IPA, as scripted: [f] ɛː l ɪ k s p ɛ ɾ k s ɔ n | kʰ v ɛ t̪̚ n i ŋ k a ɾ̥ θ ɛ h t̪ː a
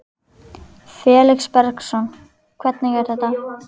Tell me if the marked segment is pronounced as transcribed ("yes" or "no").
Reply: yes